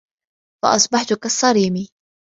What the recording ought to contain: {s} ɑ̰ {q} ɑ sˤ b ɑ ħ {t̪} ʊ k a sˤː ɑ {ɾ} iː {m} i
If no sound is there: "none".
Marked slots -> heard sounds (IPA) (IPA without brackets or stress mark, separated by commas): f, ʔ, t̪, ɾ, m